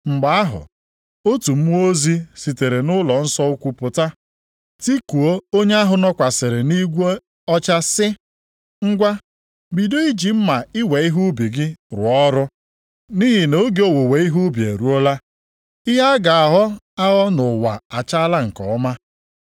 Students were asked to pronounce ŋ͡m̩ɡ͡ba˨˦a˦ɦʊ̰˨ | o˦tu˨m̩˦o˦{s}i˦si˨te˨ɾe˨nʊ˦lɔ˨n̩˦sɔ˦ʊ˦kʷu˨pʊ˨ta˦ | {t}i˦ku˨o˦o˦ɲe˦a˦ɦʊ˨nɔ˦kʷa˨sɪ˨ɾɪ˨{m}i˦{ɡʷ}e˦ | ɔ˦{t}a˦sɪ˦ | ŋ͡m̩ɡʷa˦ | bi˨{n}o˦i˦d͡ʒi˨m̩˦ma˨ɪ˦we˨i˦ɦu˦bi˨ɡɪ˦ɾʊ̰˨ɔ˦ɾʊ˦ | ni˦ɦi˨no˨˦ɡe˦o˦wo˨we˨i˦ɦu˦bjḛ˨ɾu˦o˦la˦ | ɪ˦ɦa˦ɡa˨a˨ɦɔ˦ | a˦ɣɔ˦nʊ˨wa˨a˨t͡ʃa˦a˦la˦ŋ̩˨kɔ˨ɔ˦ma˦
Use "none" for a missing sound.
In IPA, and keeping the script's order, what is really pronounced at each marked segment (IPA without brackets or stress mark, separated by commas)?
z, t, n, ɡʷ, t͡ʃ, d